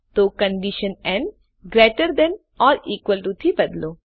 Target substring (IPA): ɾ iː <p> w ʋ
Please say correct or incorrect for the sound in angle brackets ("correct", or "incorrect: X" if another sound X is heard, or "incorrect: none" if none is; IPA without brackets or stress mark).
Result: incorrect: k